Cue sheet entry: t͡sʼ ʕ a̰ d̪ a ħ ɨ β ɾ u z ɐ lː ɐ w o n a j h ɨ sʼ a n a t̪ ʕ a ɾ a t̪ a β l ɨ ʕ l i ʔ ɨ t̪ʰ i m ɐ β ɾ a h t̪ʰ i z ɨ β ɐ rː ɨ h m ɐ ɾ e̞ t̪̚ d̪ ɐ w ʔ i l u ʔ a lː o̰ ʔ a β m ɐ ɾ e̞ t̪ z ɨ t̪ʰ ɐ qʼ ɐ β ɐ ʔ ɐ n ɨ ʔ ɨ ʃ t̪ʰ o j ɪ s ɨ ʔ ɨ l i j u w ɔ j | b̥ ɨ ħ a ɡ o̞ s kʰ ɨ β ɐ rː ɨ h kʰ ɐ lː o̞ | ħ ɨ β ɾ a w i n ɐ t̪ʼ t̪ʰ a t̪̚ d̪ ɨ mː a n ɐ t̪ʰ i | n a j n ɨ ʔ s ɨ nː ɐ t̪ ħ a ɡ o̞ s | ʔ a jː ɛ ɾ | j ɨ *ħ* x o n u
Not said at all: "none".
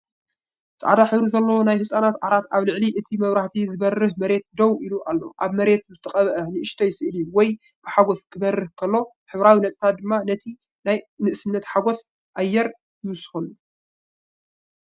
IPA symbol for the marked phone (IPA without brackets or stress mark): s